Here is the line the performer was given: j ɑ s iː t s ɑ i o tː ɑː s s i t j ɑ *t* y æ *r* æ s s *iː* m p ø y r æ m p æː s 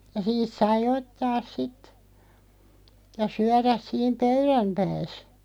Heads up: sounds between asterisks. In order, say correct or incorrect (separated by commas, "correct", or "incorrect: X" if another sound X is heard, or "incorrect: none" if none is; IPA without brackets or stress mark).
incorrect: s, correct, correct